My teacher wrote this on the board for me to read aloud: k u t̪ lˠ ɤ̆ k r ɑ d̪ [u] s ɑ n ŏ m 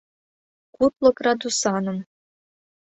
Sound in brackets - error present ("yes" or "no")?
no